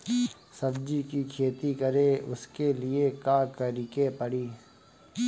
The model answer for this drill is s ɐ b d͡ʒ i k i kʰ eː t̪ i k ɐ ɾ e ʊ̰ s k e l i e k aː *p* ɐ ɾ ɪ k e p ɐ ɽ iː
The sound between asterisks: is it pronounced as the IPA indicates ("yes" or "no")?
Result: no